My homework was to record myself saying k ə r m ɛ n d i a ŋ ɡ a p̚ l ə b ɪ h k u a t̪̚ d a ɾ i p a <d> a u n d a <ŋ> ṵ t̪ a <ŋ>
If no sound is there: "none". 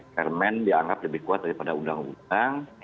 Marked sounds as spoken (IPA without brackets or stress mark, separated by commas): d, ŋ, ŋ